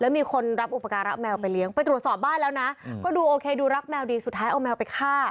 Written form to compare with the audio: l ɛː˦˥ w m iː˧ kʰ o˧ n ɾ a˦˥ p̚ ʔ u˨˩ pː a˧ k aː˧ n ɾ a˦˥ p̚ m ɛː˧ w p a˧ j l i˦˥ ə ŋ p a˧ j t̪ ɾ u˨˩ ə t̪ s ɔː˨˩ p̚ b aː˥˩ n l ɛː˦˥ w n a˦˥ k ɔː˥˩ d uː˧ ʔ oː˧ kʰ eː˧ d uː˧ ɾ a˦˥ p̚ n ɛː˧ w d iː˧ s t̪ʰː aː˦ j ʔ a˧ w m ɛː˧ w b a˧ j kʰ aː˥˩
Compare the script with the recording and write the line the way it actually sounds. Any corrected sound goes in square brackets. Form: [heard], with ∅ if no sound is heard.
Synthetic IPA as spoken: l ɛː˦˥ w m iː˧ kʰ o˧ n ɾ a˦˥ p̚ ʔ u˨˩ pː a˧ k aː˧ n ɾ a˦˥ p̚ m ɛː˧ w p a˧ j l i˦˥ ə ŋ p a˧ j t̪ ɾ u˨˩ ə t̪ s ɔː˨˩ p̚ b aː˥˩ n l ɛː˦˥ w n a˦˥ k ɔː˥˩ d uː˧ ʔ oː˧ kʰ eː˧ d uː˧ ɾ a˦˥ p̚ [m] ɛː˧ w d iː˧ s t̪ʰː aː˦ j ʔ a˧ w m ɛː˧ w [p] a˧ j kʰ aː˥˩